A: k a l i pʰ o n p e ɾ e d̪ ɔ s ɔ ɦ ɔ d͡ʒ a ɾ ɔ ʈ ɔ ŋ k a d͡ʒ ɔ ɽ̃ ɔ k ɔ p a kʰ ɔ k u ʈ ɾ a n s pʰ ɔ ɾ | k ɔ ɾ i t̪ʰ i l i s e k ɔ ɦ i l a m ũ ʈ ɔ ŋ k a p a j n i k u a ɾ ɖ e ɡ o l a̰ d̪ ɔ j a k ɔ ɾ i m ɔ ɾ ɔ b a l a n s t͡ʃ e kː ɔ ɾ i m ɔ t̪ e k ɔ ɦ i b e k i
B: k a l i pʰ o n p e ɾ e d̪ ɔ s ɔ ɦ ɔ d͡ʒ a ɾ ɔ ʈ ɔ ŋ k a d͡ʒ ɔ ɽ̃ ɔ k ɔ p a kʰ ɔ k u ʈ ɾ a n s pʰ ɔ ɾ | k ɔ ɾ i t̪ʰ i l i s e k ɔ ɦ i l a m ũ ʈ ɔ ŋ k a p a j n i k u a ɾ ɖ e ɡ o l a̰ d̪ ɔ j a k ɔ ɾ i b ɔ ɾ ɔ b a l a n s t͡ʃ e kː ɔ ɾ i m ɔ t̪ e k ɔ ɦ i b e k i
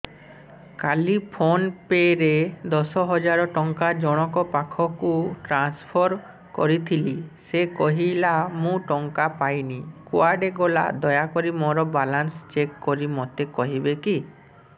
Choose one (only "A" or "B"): A